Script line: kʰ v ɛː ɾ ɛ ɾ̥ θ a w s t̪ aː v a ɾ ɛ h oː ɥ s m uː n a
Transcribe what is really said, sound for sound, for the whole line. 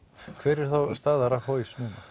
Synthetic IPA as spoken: kʰ v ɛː ɾ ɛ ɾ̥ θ a w s t̪ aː ð a ɾ a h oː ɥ s n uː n a